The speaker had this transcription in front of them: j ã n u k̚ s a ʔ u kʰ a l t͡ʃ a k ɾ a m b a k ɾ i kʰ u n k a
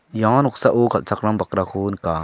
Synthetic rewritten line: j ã n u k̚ s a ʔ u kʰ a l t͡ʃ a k ɾ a m b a k ɾ a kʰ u n k a